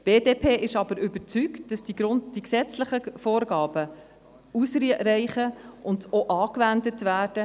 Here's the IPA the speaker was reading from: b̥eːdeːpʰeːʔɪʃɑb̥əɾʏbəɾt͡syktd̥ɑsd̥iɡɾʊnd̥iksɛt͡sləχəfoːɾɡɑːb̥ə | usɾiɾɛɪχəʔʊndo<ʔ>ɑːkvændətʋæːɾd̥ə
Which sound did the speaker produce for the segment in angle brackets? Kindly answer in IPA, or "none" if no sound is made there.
ʔ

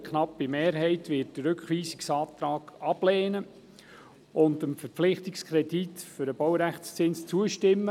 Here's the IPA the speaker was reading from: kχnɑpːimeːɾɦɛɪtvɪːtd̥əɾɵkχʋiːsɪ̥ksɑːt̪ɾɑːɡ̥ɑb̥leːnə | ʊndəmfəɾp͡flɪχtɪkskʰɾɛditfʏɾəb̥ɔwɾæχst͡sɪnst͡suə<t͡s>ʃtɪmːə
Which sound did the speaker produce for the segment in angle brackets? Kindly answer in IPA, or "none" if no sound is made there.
none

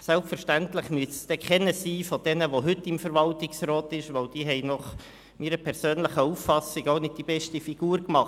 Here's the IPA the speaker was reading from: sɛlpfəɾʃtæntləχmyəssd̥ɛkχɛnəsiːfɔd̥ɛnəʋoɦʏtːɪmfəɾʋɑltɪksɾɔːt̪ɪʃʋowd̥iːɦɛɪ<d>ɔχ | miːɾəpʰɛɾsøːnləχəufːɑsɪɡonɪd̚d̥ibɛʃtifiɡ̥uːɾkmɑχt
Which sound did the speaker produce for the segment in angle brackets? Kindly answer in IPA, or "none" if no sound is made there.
n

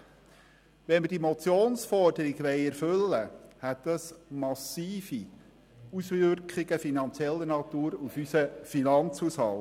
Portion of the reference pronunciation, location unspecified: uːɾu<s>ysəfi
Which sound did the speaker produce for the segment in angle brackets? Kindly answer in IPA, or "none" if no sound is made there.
f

